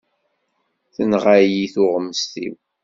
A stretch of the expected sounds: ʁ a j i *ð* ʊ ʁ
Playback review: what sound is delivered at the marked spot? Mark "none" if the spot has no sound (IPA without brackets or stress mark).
θ